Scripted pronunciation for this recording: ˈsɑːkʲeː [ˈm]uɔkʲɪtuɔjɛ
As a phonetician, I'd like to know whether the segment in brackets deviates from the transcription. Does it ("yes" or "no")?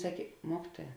no